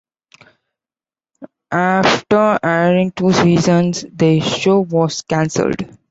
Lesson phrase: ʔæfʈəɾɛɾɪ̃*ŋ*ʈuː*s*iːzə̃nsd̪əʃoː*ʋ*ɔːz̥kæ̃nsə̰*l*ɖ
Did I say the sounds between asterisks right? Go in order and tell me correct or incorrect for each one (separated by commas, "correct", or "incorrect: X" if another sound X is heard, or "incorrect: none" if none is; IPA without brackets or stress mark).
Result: correct, correct, correct, correct